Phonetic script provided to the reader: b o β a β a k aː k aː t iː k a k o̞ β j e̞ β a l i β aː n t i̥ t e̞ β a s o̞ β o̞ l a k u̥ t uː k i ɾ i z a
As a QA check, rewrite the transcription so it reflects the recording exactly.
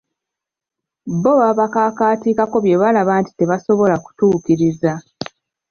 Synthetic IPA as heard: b o β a β a k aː k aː t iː k a k o̞ β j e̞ β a l a β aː n t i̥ t e̞ β a s o̞ β o̞ l a k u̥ t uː k i ɾ i z a